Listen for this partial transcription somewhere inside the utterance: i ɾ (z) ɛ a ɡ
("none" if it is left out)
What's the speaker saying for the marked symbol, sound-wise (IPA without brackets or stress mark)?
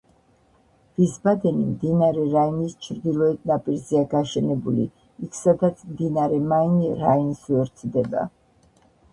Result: z